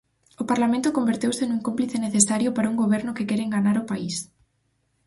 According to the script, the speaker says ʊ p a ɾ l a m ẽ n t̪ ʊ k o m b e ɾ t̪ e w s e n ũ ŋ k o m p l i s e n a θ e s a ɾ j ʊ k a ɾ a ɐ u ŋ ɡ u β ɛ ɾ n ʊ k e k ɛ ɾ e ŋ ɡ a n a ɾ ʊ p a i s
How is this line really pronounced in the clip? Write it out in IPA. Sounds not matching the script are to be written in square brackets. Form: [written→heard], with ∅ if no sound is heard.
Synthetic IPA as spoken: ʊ p a ɾ l a m ẽ n t̪ ʊ k o m b e ɾ t̪ e w s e n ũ ŋ k o m p l i [s→θ] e n [a→e] θ e s a ɾ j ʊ [k→p] a ɾ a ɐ u ŋ ɡ [u→o] β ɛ ɾ n ʊ k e k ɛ ɾ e ŋ ɡ a n a ɾ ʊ p a i s